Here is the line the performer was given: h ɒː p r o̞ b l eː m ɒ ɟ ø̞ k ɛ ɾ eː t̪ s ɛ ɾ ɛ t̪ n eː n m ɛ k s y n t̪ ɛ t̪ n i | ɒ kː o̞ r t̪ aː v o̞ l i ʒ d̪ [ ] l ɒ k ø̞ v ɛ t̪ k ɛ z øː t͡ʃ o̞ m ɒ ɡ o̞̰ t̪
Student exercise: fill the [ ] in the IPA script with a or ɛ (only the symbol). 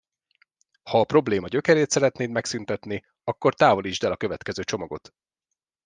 ɛ